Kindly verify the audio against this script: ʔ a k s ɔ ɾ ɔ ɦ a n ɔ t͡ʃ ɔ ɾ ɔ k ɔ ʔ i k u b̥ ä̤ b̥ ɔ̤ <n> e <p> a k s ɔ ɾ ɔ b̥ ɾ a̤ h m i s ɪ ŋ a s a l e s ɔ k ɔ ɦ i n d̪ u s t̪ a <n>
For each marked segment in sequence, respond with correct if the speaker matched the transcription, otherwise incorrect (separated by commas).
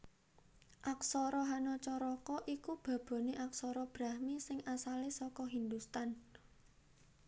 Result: correct, incorrect, correct